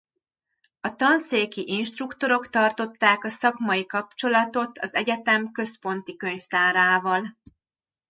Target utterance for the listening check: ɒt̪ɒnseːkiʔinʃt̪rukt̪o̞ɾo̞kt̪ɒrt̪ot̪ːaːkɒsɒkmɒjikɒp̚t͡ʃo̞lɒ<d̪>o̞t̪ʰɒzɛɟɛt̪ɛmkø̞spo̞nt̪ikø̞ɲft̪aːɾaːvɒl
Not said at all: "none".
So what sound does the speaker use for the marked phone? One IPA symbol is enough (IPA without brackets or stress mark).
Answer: t̪